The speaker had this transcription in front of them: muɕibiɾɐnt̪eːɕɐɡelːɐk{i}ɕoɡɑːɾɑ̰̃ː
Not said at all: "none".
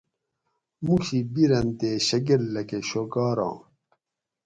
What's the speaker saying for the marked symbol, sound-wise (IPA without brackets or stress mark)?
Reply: e